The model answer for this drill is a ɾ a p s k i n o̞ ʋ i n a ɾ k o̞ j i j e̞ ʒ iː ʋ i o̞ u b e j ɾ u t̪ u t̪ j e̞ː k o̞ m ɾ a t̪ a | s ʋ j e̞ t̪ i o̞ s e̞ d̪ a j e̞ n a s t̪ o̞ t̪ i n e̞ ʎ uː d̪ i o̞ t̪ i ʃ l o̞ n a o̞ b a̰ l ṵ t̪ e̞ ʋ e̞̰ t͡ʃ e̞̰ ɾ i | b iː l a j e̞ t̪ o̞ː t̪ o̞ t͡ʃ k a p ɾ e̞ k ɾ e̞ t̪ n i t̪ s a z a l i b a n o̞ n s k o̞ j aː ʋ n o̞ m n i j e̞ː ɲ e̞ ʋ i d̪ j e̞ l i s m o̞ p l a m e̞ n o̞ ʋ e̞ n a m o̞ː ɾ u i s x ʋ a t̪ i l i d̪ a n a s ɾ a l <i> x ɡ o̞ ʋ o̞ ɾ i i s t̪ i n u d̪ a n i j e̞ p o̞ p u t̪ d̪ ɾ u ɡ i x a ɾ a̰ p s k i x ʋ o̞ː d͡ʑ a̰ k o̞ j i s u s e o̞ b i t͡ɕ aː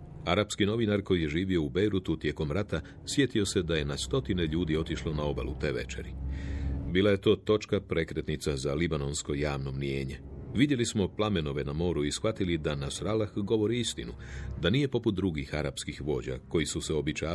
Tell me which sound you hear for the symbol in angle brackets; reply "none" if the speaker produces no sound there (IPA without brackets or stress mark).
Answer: a